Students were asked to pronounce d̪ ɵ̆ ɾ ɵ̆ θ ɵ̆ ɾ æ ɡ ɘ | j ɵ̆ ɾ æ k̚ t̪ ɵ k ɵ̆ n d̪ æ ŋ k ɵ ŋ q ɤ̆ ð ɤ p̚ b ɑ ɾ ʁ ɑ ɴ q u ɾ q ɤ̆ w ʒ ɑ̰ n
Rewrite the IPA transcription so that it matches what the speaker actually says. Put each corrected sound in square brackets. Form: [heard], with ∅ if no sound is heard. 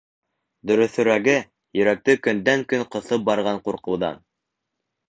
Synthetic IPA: d̪ ɵ̆ ɾ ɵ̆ θ ɵ̆ ɾ æ ɡ ɘ | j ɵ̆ ɾ æ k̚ t̪ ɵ k ɵ̆ n d̪ æ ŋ k ɵ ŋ q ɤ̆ [θ] ɤ p̚ b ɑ ɾ ʁ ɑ ɴ q u ɾ q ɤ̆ w [ð] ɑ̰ n